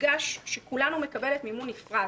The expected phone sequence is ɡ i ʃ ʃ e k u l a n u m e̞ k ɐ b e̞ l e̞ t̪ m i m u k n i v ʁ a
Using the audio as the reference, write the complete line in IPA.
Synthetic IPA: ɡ a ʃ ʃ e k u l a n u m e̞ k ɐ b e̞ l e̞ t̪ m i m u n i f ʁ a